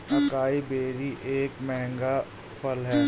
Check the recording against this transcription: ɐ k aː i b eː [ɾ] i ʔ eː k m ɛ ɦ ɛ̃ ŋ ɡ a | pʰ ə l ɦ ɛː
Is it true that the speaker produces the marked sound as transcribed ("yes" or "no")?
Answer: yes